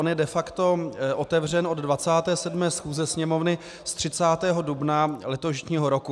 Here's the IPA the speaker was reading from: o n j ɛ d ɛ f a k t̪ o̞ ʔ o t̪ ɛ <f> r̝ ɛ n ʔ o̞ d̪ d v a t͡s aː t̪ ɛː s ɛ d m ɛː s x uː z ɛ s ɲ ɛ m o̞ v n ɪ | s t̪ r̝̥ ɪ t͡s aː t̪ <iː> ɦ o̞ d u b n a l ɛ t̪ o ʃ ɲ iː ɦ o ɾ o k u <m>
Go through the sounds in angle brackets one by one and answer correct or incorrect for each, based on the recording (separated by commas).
incorrect, incorrect, incorrect